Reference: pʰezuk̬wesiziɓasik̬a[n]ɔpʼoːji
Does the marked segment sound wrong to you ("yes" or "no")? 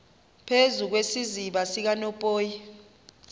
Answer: no